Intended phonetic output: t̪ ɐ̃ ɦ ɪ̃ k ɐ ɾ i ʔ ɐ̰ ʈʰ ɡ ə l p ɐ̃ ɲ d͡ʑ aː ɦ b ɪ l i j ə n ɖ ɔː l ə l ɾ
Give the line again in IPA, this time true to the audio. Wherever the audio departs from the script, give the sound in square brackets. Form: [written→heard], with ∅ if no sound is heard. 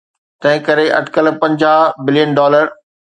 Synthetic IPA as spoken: t̪ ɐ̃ ɦ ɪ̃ k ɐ ɾ [i→e] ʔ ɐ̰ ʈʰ [ɡ→k] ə l p ɐ̃ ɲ d͡ʑ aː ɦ b ɪ l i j ə n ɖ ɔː l ə [l→∅] ɾ